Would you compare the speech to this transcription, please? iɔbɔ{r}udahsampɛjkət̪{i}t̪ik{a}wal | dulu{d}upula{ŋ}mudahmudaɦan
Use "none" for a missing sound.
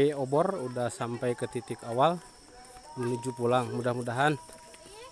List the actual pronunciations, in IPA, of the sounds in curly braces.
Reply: r, i, a, d͡ʒ, ŋ

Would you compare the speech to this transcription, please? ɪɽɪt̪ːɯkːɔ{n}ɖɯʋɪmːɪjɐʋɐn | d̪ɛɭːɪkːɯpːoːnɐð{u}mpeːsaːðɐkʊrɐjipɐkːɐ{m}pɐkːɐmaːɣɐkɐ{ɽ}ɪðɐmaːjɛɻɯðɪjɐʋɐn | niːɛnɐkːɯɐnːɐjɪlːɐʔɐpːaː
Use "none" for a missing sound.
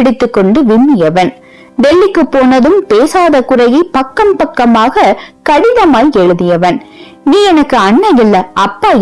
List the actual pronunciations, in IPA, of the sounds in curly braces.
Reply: ɳ, ɯ, m, ɽ

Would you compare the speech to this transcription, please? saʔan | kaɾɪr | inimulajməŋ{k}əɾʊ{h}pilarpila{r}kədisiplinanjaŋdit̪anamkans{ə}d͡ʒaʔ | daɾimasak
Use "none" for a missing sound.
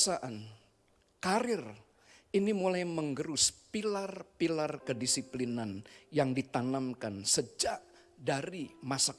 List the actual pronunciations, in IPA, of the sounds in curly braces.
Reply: ɡ, s, r, ə

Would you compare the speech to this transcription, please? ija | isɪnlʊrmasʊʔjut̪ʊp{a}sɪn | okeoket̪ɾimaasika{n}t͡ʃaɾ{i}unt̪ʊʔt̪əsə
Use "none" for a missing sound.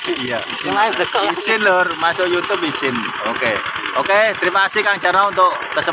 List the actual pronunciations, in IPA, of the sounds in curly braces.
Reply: i, ŋ, a

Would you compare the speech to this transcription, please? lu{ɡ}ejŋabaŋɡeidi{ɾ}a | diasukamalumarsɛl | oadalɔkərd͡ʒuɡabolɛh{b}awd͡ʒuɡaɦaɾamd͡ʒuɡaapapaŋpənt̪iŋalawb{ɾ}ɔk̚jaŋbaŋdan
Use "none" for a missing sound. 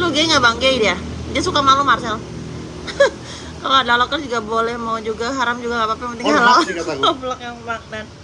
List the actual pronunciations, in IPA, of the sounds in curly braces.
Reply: ɡ, none, m, l

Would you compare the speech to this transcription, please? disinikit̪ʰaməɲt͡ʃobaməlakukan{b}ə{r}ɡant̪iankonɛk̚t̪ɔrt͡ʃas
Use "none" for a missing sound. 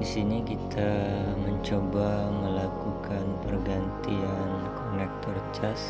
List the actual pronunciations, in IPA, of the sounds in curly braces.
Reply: p, r

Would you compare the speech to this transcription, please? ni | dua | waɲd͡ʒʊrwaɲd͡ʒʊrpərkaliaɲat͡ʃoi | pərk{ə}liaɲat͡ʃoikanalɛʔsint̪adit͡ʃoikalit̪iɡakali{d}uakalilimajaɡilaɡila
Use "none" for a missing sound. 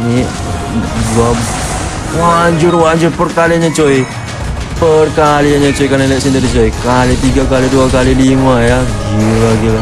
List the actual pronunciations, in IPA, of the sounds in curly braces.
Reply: a, d

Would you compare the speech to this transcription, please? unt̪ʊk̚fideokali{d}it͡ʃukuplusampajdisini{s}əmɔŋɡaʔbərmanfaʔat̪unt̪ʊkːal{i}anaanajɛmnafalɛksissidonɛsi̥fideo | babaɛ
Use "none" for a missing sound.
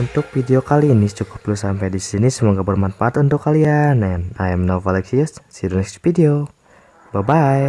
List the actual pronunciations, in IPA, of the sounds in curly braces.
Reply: n, s, i

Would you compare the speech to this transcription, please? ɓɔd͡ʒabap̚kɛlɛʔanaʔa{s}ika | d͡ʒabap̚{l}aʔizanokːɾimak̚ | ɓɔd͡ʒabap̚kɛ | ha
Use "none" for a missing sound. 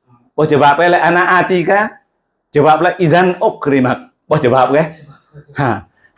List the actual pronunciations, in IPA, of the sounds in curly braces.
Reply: t, l

